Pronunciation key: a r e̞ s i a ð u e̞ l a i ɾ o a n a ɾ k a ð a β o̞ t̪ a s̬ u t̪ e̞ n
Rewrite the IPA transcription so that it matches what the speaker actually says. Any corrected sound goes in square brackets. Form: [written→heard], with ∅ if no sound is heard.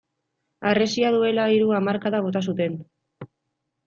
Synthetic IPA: a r e̞ s i a ð u e̞ l a i ɾ [o→u] a [n→m] a ɾ k a ð a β o̞ t̪ a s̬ u t̪ e̞ n